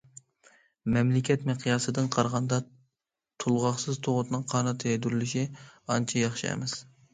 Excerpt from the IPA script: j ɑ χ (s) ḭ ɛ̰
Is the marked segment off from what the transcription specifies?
yes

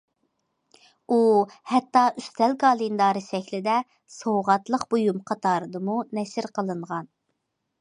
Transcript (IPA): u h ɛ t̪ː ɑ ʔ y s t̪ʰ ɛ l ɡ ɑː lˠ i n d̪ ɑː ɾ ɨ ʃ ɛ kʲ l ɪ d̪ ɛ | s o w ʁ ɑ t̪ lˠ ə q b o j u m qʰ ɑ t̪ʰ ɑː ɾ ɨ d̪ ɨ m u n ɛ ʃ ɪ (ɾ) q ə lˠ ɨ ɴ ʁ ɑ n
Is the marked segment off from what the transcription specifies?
no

